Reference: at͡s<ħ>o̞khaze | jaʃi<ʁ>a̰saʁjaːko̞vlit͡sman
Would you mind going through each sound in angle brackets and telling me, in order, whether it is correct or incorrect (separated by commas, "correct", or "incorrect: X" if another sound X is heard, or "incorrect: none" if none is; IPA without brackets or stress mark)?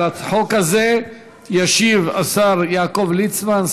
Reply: correct, incorrect: v